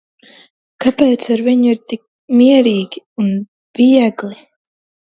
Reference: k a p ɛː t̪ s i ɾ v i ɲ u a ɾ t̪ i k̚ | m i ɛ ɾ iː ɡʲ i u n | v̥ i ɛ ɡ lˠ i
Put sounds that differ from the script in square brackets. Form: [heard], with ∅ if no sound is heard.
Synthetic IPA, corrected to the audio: k a p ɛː t̪ s [a] ɾ v i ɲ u [i] ɾ t̪ i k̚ | m i ɛ ɾ iː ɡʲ i u n | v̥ i ɛ ɡ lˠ i